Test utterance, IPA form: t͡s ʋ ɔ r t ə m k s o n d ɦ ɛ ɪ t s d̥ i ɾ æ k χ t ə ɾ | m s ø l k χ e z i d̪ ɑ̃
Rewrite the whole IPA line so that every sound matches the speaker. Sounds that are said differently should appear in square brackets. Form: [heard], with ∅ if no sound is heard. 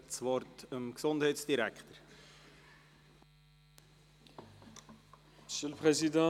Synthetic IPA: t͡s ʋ ɔ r t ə m k s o n d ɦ ɛ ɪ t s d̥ i ɾ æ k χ t ə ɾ | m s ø l [p] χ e z i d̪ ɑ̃